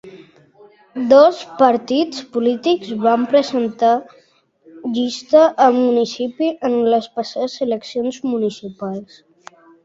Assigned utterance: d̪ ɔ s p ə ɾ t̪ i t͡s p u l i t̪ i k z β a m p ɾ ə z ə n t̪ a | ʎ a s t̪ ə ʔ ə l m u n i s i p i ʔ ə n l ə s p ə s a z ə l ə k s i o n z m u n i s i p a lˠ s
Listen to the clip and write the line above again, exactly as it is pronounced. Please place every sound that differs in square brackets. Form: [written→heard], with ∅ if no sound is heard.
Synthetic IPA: d̪ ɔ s p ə ɾ t̪ i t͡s p u l i t̪ i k z β a m p ɾ ə z ə n t̪ a | ʎ [a→i] s t̪ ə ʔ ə l m u n i s i p i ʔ ə n l ə s p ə s a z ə l ə k s i o n z m u n i s i p a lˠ s